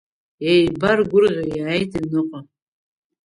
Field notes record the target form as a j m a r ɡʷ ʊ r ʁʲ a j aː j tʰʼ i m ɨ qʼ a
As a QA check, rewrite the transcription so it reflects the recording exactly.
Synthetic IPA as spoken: e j b a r ɡʷ ʊ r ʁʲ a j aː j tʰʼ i n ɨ qʼ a